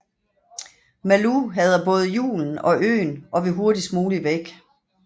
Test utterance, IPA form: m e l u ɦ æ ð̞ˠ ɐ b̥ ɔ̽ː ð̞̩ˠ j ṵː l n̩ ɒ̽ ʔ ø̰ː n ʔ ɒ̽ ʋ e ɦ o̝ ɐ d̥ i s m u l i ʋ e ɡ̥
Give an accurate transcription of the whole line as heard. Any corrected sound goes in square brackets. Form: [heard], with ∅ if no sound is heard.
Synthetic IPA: m [æ] l u ɦ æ ð̞ˠ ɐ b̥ ɔ̽ː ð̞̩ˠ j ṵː l n̩ ɒ̽ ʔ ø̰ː n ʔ ɒ̽ ʋ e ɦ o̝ ɐ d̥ i s m [uː] l i ʋ e ɡ̥